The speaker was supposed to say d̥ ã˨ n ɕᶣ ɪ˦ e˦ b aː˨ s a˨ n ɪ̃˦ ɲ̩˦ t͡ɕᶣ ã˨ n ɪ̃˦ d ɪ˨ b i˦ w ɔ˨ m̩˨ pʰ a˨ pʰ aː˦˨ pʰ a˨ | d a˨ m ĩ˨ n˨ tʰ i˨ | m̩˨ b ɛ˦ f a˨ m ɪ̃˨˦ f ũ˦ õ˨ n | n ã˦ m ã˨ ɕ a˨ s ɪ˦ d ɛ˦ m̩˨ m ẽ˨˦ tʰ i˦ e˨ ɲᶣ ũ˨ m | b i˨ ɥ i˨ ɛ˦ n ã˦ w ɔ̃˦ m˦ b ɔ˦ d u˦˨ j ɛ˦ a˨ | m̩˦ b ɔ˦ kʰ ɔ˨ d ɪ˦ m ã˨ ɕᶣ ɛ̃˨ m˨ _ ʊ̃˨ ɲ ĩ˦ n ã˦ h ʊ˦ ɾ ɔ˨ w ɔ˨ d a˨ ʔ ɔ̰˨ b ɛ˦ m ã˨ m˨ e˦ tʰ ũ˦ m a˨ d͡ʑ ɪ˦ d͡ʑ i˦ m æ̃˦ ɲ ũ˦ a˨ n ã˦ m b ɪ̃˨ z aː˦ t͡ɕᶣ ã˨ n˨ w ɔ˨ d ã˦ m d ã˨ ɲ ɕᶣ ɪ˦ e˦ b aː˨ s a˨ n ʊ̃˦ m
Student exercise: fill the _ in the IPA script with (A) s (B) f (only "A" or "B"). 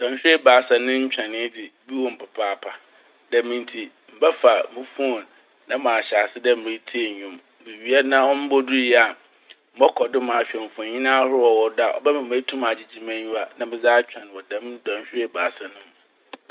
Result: B